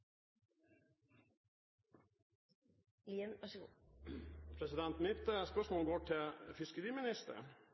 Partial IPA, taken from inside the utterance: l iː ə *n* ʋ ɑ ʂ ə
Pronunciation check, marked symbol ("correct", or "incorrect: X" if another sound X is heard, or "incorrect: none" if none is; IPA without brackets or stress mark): correct